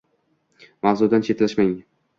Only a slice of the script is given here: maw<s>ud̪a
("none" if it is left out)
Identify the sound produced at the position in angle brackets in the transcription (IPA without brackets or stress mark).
z